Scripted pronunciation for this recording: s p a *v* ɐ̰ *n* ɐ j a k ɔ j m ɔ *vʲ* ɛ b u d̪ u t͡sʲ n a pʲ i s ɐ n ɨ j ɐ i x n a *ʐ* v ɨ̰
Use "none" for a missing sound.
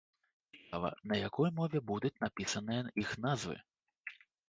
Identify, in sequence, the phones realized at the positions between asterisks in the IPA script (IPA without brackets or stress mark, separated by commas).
v, n, vʲ, z